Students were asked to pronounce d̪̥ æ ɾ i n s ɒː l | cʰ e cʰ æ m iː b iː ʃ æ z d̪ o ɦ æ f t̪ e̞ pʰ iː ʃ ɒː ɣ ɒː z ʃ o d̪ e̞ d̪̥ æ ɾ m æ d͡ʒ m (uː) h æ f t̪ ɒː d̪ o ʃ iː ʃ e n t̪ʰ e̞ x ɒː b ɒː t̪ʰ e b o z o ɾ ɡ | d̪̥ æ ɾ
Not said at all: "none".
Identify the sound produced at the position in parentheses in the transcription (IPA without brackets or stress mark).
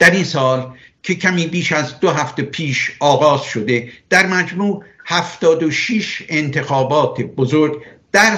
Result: uː